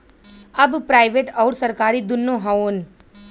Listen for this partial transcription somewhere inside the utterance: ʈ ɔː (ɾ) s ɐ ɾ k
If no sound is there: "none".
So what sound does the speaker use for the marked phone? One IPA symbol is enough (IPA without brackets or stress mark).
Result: ɾ